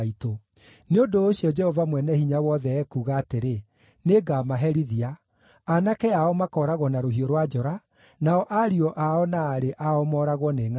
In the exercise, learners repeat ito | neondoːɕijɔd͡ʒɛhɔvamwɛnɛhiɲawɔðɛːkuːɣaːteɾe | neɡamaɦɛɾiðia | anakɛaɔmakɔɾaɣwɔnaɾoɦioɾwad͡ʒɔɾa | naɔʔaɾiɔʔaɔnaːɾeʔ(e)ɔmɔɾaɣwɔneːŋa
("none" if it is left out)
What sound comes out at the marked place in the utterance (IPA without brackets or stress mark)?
a